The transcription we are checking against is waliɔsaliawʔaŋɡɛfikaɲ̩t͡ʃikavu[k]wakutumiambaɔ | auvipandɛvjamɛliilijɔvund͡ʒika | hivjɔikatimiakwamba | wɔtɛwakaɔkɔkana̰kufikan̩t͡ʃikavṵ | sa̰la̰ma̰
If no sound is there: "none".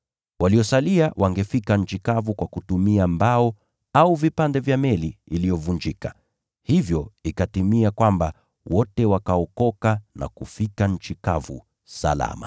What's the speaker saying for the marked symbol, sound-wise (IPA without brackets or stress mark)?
k